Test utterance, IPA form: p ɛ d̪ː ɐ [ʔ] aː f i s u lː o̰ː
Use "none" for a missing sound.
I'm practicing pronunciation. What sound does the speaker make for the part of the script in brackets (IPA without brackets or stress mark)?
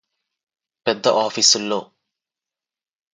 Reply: ʔ